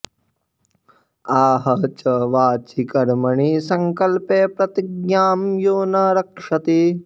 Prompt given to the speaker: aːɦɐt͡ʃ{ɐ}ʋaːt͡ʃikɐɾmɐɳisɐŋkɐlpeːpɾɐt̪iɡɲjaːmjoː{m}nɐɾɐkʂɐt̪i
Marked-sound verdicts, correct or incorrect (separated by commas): correct, incorrect